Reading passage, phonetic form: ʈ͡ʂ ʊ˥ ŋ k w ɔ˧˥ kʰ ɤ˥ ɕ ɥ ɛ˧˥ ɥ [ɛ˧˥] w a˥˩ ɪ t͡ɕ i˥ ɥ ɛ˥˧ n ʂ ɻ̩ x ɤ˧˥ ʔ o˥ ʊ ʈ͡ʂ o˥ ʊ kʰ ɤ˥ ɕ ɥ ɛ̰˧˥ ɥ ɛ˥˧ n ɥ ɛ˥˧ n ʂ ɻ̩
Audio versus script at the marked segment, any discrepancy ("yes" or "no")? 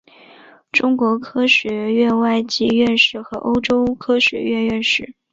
yes